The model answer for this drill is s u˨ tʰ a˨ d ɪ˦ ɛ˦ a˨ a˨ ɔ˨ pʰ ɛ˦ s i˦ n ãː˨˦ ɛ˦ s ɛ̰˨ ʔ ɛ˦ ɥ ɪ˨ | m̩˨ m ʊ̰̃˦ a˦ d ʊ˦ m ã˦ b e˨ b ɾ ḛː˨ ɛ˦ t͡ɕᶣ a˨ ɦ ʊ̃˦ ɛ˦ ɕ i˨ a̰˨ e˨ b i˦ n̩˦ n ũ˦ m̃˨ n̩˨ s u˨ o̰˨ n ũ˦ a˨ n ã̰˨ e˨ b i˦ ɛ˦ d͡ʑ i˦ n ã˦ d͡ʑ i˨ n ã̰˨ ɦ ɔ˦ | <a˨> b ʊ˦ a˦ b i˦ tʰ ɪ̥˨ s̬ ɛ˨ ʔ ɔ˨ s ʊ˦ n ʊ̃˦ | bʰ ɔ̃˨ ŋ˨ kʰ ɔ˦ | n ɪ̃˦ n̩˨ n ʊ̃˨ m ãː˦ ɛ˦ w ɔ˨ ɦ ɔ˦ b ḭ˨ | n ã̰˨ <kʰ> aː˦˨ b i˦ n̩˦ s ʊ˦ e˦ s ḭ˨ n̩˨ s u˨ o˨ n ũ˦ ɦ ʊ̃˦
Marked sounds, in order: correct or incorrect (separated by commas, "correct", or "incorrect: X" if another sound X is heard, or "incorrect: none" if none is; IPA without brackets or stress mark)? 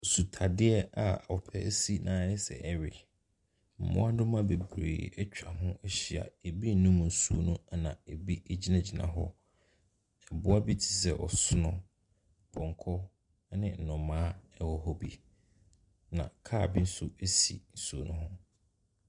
incorrect: ɛ˨, correct